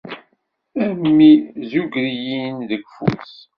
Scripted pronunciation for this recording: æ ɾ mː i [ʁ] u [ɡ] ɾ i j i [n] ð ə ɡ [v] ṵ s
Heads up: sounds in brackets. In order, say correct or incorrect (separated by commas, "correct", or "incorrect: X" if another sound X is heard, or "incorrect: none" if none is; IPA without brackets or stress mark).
incorrect: z, correct, correct, incorrect: f